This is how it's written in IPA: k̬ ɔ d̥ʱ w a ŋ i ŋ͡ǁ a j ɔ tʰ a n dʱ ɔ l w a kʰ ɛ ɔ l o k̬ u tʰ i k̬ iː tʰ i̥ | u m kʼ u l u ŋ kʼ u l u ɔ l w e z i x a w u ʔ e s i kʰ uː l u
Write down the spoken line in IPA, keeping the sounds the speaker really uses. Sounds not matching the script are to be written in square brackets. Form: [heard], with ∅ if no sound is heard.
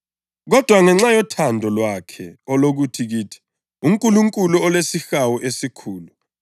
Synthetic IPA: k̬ ɔ d̥ʱ w a ŋ [ɛ] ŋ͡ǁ a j ɔ tʰ a n dʱ ɔ l w a kʰ ɛ ɔ l o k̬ u tʰ i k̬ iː tʰ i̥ | u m kʼ u l u ŋ kʼ u l u ɔ l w e [s] i x a w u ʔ e s i kʰ uː l u